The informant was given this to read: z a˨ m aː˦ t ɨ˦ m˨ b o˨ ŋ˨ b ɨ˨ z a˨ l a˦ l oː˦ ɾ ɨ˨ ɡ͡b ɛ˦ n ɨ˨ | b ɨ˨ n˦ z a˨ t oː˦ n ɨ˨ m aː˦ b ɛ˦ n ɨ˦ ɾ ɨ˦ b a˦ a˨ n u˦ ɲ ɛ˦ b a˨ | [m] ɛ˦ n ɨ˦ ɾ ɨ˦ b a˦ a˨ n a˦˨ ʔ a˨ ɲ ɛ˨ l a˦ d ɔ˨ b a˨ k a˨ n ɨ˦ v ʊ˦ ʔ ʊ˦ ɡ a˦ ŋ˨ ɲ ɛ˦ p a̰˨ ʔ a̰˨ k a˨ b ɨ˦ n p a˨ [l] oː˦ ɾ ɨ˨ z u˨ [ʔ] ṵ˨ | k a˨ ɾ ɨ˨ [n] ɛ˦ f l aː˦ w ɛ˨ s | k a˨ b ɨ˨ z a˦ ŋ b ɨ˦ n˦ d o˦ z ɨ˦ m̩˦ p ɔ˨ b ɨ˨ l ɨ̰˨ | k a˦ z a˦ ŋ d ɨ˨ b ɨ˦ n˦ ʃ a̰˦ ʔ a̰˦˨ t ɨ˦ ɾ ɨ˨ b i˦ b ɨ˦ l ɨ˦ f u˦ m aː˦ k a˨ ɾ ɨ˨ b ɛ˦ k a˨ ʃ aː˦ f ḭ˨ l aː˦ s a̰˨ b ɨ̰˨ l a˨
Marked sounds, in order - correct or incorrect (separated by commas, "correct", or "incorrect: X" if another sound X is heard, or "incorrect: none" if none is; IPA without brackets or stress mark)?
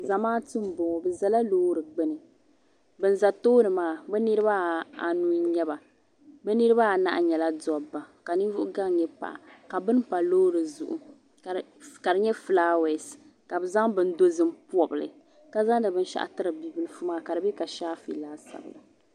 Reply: incorrect: b, correct, correct, incorrect: ɲ